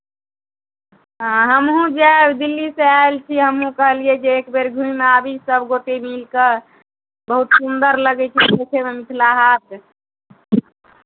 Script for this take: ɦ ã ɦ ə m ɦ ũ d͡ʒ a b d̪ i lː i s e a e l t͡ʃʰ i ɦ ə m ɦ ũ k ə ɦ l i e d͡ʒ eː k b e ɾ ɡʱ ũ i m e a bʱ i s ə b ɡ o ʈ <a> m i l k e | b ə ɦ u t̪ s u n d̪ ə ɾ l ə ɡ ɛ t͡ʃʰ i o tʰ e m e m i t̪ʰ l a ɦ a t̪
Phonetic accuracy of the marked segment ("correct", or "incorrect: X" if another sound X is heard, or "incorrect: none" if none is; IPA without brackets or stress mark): incorrect: e